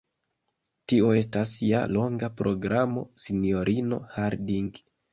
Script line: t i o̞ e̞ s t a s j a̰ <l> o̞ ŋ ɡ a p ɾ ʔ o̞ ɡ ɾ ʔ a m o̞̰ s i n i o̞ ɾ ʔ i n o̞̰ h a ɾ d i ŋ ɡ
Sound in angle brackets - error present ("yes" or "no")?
no